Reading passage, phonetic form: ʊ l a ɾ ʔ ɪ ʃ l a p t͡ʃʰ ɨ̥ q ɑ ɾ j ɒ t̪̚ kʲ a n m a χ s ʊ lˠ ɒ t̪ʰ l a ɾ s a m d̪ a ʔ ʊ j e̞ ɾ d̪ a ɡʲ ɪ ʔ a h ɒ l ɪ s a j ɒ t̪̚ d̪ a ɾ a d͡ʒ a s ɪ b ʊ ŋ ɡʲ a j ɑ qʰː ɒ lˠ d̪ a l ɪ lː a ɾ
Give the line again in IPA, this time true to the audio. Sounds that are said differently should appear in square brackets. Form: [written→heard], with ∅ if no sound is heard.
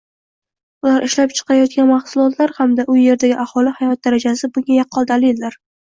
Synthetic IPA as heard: ʊ l a ɾ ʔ ɪ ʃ l a p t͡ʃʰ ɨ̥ q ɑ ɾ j ɒ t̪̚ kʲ a n m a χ s ʊ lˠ ɒ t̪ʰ l a ɾ [s→h] a m d̪ a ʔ ʊ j e̞ ɾ d̪ a ɡʲ ɪ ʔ a h ɒ l ɪ [s→h] a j ɒ t̪̚ d̪ a ɾ a d͡ʒ a s ɪ b ʊ ŋ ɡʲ a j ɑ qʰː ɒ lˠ d̪ a l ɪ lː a ɾ